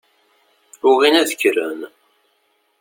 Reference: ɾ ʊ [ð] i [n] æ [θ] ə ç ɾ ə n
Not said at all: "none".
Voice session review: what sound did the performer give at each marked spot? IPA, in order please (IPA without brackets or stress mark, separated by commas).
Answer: ʁ, n, ð